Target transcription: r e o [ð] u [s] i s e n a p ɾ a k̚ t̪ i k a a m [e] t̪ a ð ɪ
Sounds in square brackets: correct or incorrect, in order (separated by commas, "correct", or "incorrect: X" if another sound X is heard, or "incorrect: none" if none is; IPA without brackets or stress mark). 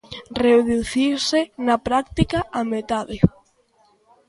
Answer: correct, incorrect: θ, correct